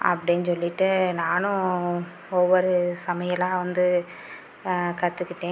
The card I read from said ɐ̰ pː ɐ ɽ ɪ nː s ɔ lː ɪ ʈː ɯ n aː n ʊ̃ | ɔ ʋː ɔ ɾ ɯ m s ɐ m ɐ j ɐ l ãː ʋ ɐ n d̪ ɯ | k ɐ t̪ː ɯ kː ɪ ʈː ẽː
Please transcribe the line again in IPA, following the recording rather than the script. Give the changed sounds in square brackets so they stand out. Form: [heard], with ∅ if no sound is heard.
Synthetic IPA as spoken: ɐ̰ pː ɐ ɽ ɪ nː s ɔ lː ɪ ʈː ɯ n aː n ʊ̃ | ɔ ʋː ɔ ɾ ɯ [∅] s ɐ m ɐ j ɐ l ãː ʋ ɐ n d̪ ɯ | k ɐ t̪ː ɯ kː ɪ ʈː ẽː